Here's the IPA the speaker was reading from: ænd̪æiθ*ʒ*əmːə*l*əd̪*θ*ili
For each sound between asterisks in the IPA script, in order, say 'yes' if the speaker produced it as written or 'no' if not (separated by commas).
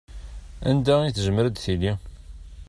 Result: yes, no, yes